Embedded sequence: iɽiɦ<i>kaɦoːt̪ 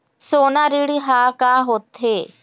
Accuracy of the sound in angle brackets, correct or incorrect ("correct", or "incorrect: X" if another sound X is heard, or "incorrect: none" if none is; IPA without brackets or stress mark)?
incorrect: a